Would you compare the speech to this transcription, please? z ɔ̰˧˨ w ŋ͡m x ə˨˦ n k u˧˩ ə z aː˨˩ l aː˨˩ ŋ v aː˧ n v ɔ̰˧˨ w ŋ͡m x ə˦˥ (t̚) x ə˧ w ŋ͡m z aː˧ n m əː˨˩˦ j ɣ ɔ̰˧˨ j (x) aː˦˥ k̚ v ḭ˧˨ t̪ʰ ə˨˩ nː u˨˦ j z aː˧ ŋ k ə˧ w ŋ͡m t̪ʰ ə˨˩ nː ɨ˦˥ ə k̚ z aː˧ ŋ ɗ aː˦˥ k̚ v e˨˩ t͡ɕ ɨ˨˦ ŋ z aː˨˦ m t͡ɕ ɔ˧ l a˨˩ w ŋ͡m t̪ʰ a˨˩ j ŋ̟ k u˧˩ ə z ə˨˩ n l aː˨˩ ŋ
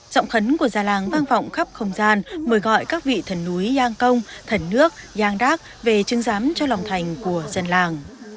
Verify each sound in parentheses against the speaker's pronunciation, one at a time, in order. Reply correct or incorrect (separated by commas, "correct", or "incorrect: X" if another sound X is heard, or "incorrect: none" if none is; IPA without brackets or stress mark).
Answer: incorrect: p̚, incorrect: k